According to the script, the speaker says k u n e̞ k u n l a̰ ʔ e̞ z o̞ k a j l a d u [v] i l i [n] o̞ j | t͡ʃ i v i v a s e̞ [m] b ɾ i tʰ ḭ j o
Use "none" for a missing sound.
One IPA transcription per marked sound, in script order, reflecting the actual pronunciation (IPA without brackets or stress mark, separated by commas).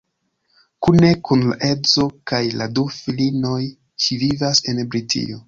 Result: f, n, n